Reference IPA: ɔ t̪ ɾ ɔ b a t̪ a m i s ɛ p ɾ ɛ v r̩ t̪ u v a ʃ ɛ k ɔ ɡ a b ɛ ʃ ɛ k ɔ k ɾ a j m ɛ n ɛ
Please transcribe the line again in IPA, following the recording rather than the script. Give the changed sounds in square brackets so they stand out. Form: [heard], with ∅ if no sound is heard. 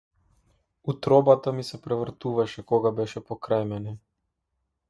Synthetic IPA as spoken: [u] t̪ ɾ ɔ b a t̪ a m i s ɛ p ɾ ɛ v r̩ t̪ u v a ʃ ɛ k ɔ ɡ a b ɛ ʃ ɛ [p] ɔ k ɾ a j m ɛ n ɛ